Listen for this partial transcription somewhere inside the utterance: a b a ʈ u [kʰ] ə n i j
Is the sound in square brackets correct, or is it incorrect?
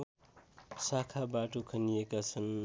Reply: correct